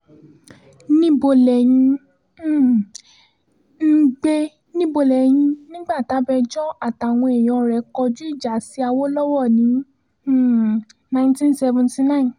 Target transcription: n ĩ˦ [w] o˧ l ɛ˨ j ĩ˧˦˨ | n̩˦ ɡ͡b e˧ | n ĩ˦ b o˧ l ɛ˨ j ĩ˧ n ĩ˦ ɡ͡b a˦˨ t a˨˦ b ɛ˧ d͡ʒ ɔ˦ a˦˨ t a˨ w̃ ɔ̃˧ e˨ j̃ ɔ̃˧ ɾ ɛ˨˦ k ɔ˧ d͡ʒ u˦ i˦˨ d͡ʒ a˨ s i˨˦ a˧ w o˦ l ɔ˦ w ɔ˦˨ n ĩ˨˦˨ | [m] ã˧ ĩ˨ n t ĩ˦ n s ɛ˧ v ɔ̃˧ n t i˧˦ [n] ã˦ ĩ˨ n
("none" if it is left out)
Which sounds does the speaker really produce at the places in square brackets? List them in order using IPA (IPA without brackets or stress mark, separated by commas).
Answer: b, n, n